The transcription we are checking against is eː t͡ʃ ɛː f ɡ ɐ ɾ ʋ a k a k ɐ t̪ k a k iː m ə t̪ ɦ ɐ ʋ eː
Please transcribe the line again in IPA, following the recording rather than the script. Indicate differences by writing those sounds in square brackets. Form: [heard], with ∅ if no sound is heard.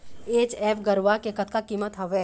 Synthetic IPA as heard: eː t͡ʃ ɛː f ɡ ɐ ɾ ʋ a k [e] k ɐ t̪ k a k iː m ə t̪ ɦ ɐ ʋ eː